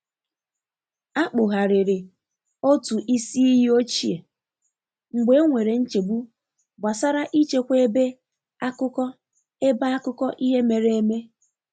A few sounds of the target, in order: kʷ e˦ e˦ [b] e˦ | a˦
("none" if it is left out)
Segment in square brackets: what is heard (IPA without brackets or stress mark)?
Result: b